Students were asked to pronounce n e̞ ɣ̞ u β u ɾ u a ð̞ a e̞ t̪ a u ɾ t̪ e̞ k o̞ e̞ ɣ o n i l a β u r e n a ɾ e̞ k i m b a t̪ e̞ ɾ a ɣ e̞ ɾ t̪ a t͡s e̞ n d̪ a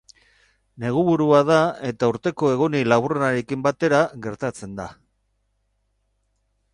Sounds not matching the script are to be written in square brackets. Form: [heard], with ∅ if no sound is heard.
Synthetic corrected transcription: n e̞ ɣ̞ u β u ɾ u a ð̞ a e̞ t̪ a u ɾ t̪ e̞ k o̞ e̞ ɣ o n i l a β u r e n a ɾ e̞ k i m b a t̪ e̞ ɾ a ɣ e̞ ɾ t̪ a t͡s e̞ n d̪ a